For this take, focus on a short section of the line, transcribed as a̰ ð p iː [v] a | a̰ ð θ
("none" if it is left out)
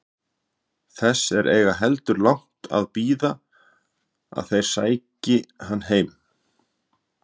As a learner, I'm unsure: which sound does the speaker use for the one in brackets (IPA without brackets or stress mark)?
ð